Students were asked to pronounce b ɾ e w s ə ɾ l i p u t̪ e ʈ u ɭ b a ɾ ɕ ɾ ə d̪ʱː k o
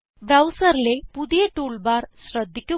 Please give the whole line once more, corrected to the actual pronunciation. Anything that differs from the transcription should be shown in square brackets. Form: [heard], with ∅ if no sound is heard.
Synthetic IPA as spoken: b ɾ [a] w s ə ɾ l [e] p u [d̪] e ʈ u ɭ b a ɾ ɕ ɾ ə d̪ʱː k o